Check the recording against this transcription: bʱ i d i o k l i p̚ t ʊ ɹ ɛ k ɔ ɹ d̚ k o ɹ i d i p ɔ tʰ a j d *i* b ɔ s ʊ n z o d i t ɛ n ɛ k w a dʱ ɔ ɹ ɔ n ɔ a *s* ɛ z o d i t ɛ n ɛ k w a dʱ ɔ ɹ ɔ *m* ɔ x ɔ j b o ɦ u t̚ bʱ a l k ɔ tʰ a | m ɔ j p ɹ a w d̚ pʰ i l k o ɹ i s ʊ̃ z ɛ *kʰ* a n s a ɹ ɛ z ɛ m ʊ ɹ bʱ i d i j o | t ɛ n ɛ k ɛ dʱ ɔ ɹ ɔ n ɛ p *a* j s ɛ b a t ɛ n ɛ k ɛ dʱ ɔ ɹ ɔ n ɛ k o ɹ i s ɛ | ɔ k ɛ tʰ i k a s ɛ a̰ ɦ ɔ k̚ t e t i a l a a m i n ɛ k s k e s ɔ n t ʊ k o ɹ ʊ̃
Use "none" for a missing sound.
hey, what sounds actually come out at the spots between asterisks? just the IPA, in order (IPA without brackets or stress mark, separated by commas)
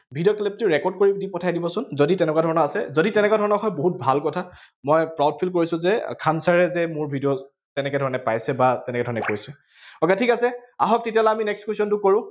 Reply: i, s, n, kʰ, a